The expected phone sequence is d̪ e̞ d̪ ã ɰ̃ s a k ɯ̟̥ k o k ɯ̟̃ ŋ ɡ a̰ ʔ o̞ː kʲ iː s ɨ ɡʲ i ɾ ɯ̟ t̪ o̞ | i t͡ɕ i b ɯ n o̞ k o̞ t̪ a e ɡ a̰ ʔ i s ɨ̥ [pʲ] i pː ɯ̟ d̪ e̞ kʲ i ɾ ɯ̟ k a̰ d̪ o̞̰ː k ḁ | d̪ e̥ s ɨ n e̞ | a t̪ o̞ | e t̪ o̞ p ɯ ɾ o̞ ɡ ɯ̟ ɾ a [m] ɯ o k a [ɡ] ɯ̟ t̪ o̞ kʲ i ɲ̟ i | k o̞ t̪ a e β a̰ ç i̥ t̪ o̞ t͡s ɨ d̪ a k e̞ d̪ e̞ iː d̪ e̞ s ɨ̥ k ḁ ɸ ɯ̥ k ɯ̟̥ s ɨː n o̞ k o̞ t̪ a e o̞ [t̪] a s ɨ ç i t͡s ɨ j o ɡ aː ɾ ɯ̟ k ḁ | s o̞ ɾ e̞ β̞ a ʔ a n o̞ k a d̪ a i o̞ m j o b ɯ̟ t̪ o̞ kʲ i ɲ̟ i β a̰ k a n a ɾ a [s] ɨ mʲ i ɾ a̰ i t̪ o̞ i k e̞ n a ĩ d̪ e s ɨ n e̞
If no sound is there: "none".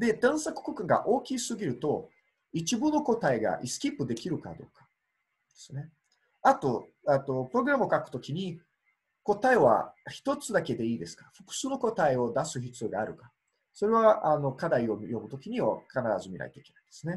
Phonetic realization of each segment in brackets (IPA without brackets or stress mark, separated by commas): kʲ, m, k, d̪, z